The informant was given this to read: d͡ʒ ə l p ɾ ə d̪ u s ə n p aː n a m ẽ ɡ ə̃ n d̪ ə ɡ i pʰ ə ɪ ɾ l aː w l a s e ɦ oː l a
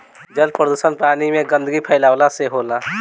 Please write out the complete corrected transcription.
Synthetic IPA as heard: d͡ʒ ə l p ɾ ə d̪ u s ə n p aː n i m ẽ ɡ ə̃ n d̪ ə ɡ i pʰ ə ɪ l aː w l a s e ɦ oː l a

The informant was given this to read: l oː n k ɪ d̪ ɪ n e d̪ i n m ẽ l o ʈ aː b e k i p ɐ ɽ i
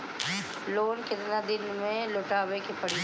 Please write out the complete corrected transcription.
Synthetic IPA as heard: l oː n k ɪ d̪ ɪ n a d̪ ɪ n m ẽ l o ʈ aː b e k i p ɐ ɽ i

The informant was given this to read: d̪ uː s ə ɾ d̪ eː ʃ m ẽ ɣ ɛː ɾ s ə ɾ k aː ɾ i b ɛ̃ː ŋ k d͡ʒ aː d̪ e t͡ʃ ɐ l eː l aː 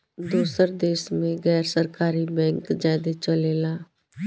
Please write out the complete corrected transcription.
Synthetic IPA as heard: d̪ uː s ə ɾ d̪ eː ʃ m ẽ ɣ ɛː ɾ s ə ɾ k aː ɾ i b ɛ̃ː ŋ k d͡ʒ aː d̪ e t͡ʃ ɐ l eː l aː

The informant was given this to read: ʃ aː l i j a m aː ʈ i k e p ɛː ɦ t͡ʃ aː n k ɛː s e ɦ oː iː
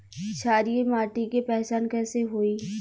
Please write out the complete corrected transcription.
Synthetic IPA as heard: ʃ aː ɾ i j e m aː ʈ i k e p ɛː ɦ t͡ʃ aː n k ɛː s e ɦ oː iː

